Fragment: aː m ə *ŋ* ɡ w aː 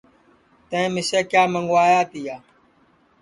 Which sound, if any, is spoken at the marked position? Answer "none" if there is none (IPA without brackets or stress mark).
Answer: ŋ